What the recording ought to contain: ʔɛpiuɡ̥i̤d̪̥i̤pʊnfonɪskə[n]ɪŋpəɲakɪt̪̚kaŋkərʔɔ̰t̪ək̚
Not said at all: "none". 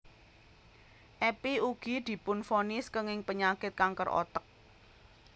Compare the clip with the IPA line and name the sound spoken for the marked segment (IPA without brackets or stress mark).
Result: ŋ